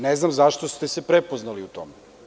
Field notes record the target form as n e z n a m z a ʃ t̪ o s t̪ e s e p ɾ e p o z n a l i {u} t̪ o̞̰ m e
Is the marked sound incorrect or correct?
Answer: correct